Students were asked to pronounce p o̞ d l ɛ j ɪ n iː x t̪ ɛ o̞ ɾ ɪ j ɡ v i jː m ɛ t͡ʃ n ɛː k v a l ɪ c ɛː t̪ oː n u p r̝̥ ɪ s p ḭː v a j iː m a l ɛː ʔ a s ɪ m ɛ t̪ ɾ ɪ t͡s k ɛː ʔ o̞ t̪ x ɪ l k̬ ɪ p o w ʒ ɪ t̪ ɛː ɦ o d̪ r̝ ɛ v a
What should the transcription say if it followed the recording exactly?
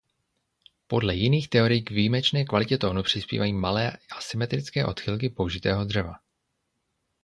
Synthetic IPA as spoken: p o̞ d l ɛ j ɪ n iː x t̪ ɛ o̞ ɾ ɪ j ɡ v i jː m ɛ t͡ʃ n ɛː k v a l ɪ c ɛ t̪ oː n u p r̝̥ ɪ s p ḭː v a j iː m a l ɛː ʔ a s ɪ m ɛ t̪ ɾ ɪ t͡s k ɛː ʔ o̞ t̪ x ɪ l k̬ ɪ p o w ʒ ɪ t̪ ɛː ɦ o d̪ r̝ ɛ v a